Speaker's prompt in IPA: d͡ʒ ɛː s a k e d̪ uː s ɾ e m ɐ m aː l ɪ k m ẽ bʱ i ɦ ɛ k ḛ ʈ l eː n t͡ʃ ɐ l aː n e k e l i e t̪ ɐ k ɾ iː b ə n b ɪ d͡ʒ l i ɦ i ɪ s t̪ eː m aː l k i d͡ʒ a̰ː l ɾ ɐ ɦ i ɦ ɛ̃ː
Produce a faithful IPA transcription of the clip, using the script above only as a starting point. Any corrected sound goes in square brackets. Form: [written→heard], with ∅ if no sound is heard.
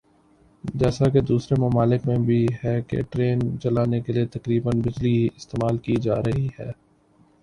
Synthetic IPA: d͡ʒ ɛː s a k e d̪ uː s ɾ e m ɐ m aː l ɪ k m ẽ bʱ i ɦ ɛ k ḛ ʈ [l→ɾ] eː n t͡ʃ ɐ l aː n e k e l i e t̪ ɐ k ɾ iː b ə n b ɪ d͡ʒ l i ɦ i ɪ s t̪ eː m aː l k i d͡ʒ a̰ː [l→∅] ɾ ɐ ɦ i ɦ [ɛ̃ː→ɛː]